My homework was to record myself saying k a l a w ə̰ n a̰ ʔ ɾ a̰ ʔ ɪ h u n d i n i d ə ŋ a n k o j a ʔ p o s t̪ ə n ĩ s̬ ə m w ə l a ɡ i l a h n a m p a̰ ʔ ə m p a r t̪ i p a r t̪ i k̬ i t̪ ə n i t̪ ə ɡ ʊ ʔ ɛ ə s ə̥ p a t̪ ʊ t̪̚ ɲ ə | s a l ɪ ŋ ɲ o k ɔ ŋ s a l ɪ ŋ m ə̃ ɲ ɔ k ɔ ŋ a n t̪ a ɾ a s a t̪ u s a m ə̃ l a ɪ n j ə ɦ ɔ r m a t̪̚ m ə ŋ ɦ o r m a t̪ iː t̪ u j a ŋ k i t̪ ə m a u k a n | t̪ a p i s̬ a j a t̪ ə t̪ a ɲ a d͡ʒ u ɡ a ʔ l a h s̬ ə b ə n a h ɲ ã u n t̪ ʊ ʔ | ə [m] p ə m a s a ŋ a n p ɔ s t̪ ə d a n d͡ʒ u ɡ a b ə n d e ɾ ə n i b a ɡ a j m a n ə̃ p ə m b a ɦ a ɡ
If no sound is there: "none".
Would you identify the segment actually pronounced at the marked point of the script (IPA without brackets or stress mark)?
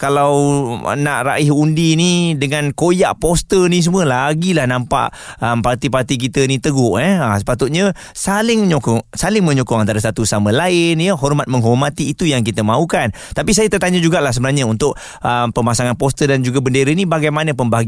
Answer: m